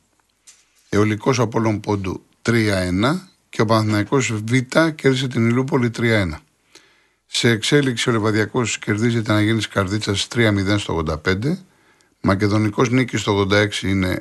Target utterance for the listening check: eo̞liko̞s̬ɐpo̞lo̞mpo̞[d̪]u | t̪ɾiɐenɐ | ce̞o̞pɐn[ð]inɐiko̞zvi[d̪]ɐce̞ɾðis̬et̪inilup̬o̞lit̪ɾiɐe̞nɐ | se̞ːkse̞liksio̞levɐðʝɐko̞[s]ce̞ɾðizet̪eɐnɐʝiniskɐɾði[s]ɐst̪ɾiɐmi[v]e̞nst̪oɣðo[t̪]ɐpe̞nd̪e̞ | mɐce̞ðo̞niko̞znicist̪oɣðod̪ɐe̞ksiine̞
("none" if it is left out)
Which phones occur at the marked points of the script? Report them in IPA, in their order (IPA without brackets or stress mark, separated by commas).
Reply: d̪, θ, t̪, s, t͡s, ð, d̪